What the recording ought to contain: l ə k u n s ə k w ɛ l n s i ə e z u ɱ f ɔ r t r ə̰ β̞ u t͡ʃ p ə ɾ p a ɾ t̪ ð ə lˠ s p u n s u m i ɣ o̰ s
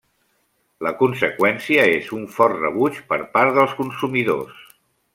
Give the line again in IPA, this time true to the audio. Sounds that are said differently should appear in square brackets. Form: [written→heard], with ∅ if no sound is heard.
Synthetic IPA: l ə k u n s ə k w ɛ [l→∅] n s i ə e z u ɱ f ɔ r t r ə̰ β̞ u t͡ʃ p ə ɾ p a ɾ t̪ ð ə lˠ s [p→k] u n s u m i [ɣ→ð] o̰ s